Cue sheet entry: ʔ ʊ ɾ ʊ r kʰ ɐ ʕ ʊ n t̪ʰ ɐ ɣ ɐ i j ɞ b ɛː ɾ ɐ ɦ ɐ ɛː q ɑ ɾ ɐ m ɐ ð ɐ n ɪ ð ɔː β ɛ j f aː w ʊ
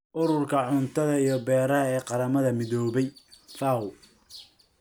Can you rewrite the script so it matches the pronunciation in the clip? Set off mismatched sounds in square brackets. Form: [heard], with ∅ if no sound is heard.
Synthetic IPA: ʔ ʊ ɾ ʊ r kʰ ɐ ʕ ʊ n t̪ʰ ɐ [ð] ɐ i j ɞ b ɛː ɾ ɐ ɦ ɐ ɛː q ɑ ɾ ɐ m ɐ ð ɐ [m] ɪ ð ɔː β ɛ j f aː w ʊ